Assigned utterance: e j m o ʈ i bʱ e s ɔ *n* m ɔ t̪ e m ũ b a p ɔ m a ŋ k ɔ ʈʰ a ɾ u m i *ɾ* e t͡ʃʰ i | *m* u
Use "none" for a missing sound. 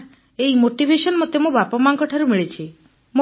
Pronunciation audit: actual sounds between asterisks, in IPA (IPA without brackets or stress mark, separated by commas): n, ɭ, m